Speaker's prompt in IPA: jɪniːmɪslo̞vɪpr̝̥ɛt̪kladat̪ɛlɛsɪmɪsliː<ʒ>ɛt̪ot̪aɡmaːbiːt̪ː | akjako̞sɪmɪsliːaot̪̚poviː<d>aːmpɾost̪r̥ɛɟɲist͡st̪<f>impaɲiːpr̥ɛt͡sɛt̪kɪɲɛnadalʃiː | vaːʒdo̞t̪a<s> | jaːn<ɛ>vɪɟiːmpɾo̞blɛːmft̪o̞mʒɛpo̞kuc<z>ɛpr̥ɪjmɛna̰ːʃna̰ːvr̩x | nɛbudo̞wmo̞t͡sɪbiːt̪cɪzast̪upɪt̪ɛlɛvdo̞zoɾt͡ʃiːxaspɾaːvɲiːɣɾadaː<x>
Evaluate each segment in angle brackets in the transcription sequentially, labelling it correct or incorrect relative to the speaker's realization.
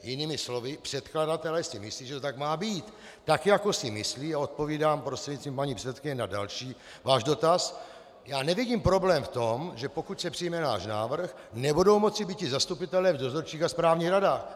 correct, correct, incorrect: v, correct, correct, incorrect: s, correct

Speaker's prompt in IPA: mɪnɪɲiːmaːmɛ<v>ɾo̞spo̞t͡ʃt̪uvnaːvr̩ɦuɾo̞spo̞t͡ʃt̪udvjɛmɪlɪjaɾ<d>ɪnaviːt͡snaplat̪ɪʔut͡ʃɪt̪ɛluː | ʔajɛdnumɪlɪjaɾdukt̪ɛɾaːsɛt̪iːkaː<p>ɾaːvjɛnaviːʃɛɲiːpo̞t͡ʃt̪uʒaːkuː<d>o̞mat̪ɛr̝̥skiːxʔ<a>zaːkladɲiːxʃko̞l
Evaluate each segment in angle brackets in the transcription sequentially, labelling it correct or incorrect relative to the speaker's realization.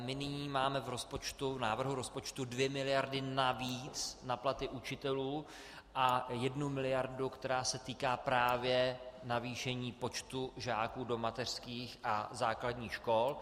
correct, correct, correct, correct, correct

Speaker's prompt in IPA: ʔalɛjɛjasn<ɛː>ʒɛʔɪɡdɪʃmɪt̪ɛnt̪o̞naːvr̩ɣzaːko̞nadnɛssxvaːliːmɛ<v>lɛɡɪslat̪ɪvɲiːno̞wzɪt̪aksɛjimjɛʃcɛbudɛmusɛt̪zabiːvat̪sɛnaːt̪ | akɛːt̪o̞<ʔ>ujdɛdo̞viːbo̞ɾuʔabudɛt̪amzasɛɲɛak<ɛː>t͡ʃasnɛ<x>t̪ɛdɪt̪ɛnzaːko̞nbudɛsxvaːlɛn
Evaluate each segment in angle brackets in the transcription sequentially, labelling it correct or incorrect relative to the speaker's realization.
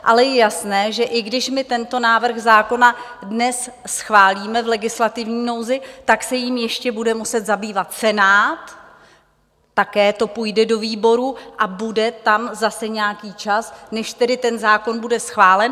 correct, correct, incorrect: p, incorrect: iː, incorrect: ʃ

